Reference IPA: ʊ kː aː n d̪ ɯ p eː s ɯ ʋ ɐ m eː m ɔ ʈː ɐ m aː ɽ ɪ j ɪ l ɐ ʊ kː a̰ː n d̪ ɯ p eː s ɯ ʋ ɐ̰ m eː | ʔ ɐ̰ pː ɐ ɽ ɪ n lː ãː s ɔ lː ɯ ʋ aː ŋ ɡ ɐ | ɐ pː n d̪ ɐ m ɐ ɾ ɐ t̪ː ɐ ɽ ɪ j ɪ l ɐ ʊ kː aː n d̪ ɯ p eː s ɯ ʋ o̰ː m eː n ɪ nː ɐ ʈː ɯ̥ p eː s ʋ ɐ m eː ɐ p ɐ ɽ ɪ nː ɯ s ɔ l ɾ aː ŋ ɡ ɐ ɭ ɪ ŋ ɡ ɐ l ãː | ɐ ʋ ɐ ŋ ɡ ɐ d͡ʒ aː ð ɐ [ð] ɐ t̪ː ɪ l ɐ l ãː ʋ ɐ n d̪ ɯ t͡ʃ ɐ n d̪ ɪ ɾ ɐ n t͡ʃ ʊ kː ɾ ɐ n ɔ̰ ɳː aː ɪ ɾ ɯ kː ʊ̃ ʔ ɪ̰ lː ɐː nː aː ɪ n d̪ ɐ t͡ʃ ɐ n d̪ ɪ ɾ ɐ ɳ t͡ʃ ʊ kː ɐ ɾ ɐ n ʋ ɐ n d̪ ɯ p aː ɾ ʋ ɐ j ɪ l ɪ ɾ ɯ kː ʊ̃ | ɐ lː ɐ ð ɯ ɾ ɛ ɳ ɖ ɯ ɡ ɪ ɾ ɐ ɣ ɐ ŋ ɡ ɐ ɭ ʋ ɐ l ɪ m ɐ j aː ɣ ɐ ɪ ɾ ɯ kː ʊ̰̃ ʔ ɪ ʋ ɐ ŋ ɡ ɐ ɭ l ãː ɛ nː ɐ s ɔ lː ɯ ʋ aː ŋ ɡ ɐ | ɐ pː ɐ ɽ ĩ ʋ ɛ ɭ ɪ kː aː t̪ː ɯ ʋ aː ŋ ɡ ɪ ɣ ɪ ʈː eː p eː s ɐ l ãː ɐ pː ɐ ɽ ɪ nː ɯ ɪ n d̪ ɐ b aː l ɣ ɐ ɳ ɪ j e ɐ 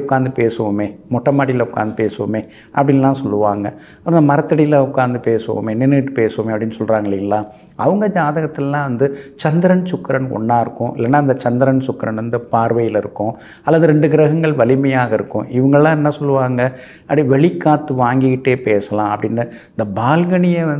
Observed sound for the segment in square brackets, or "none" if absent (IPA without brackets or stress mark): ɣ